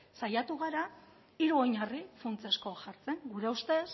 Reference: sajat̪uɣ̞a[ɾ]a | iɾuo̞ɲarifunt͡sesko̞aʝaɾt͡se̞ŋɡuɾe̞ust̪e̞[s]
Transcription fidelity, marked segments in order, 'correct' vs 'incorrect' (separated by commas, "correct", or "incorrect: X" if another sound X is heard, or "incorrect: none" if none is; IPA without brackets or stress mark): correct, correct